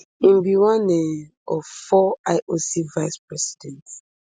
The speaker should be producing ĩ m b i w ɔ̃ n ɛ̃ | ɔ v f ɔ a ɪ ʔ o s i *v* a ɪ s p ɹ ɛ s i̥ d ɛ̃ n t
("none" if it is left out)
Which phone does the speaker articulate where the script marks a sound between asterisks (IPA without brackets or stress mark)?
v